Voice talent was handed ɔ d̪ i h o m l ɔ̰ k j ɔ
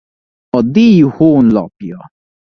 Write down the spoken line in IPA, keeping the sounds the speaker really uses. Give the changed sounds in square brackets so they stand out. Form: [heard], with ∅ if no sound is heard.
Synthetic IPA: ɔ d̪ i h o [n] l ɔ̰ [p] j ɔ